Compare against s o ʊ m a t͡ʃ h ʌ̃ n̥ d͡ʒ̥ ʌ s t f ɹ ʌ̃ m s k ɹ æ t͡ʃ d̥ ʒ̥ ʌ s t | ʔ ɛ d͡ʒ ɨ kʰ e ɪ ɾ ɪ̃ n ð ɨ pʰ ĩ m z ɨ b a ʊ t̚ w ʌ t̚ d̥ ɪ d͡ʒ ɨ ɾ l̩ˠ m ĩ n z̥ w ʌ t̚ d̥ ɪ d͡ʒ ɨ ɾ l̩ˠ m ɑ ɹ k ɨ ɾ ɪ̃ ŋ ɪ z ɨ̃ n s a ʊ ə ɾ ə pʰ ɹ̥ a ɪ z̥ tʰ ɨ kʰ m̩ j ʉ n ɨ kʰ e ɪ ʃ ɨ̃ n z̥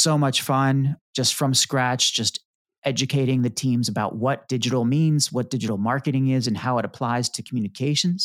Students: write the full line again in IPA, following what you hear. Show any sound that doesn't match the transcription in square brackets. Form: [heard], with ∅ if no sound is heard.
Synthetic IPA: s o ʊ m [ʌ] t͡ʃ [f] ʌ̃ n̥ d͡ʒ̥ ʌ s t f ɹ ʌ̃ m s k ɹ æ t͡ʃ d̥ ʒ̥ ʌ s t | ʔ ɛ d͡ʒ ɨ kʰ e ɪ ɾ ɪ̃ [ŋ] ð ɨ [tʰ] ĩ m z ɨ b a ʊ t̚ w ʌ t̚ d̥ ɪ d͡ʒ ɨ ɾ l̩ˠ m ĩ n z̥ w ʌ t̚ d̥ ɪ d͡ʒ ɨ ɾ l̩ˠ m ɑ ɹ k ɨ ɾ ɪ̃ ŋ ɪ z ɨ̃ n [h] a ʊ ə ɾ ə pʰ [l̥] a ɪ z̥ tʰ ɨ kʰ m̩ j ʉ n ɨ kʰ e ɪ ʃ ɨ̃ n z̥